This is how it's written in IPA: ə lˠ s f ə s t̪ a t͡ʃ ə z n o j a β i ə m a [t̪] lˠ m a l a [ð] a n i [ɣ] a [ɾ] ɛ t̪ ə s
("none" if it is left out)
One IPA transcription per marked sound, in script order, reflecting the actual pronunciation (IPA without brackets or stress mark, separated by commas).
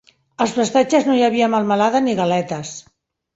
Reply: none, ð, ɣ, l